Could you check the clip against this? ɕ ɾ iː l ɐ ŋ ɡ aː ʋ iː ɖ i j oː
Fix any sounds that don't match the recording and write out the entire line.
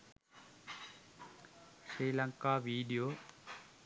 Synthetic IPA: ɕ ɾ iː l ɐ ŋ k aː ʋ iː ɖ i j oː